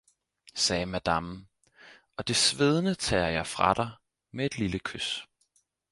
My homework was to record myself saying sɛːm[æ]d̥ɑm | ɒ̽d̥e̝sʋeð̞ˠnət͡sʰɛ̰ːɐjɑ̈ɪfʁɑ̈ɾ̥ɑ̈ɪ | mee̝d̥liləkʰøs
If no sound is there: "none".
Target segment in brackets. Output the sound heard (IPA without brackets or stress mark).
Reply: æ